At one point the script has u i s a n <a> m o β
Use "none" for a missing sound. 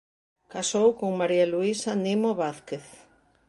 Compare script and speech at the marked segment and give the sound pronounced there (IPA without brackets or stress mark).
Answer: i